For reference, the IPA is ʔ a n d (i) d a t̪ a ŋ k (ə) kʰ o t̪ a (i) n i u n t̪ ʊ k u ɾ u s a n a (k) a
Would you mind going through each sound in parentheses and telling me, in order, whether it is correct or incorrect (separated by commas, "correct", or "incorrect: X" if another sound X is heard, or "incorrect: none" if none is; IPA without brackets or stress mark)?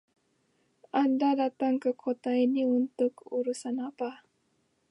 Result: incorrect: a, correct, correct, incorrect: p